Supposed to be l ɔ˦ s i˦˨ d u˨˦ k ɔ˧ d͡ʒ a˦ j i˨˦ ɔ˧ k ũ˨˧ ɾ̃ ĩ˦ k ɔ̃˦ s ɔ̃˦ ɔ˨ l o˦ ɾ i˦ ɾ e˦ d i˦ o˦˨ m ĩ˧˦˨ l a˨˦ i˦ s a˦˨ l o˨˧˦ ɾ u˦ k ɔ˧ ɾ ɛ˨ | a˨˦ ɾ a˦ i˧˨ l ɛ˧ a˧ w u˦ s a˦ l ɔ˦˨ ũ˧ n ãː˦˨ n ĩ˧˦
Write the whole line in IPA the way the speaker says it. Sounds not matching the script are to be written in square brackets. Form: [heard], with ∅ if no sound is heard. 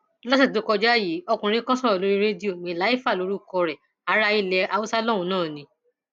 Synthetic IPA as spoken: l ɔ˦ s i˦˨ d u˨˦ k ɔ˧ d͡ʒ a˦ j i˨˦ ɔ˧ k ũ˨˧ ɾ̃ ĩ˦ k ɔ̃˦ s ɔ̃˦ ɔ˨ l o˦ ɾ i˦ ɾ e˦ d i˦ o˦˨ m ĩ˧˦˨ l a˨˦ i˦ [f] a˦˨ l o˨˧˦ ɾ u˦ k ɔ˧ ɾ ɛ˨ | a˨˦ ɾ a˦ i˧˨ l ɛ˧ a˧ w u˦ s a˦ l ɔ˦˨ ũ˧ n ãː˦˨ n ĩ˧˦